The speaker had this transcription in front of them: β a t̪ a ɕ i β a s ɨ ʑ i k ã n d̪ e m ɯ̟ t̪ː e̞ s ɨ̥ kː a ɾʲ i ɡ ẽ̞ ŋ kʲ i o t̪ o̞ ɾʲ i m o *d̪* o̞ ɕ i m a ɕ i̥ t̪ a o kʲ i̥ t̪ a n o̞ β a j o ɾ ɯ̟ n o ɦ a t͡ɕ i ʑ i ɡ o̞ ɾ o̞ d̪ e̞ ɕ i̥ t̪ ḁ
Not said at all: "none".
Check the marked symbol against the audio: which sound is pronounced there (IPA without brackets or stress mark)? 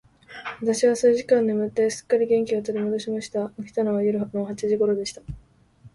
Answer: d̪